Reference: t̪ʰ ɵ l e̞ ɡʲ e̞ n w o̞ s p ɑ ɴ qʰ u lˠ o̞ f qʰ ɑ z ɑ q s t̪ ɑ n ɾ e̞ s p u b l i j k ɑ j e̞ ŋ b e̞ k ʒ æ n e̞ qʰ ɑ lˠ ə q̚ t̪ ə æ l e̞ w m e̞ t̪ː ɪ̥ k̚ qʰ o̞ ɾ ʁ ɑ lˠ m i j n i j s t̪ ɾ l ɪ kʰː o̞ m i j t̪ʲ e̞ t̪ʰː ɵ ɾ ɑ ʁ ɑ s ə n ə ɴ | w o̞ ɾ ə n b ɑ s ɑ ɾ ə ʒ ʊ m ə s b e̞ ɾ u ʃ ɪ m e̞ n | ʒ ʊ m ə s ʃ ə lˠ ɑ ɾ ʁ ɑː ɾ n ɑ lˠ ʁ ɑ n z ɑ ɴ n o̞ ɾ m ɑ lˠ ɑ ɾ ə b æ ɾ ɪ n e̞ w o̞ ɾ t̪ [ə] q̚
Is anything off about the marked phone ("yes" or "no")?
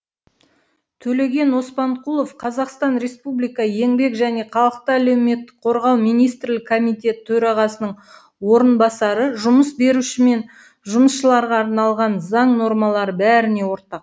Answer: yes